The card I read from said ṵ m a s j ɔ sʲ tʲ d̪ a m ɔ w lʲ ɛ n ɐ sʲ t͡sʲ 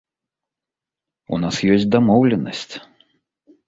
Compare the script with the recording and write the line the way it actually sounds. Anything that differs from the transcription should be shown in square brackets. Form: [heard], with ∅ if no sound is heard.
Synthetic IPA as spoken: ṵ [n] a s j ɔ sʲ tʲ d̪ a m ɔ w lʲ ɛ n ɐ sʲ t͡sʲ